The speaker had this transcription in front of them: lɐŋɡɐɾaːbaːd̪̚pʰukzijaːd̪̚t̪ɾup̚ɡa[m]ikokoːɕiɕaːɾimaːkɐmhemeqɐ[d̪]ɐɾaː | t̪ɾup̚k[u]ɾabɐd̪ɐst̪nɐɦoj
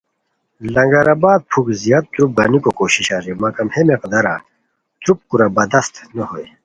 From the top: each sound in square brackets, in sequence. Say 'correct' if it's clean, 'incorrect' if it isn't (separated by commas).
incorrect, correct, correct